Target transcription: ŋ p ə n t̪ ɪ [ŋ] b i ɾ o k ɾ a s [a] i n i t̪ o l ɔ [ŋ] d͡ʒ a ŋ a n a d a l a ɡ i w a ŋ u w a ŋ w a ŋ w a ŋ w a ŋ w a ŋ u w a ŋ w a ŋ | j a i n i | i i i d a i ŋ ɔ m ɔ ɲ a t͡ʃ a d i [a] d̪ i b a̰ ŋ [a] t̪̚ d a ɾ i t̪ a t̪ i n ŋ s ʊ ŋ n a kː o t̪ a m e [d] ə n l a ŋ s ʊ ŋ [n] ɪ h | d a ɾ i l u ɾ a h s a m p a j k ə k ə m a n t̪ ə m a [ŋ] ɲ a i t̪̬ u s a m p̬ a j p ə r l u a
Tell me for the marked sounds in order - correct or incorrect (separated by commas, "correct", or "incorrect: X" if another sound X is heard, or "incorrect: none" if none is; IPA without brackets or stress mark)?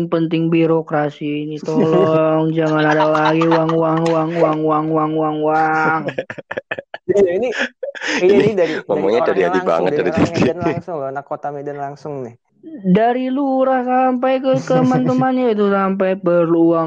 correct, incorrect: i, correct, correct, incorrect: ə, correct, correct, incorrect: n